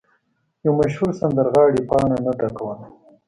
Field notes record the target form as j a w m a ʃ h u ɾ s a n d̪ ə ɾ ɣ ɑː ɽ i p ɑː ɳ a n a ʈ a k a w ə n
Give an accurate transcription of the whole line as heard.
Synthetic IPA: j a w m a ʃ h u ɾ s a n d̪ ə ɾ ɣ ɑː ɽ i p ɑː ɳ a n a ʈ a k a w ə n